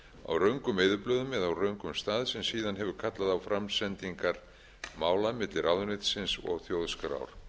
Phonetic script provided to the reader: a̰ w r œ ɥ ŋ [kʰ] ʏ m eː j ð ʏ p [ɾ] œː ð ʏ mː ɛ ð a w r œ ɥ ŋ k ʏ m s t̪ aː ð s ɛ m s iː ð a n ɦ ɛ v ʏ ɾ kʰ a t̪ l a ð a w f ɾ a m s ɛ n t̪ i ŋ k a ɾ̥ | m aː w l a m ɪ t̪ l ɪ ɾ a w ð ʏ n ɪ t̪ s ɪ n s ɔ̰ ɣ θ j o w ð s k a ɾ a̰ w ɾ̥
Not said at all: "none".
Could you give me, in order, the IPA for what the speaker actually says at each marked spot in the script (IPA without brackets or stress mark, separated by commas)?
k, l